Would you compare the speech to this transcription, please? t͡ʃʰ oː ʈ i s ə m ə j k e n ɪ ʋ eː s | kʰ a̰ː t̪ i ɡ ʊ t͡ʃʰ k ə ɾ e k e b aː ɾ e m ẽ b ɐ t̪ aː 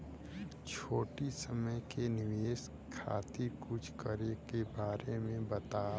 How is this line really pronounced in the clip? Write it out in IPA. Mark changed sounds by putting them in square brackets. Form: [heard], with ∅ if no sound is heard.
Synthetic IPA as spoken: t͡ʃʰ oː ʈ i s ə m ə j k e n ɪ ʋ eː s | kʰ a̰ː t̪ i [k] ʊ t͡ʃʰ k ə ɾ e k e b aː ɾ e m ẽ b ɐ t̪ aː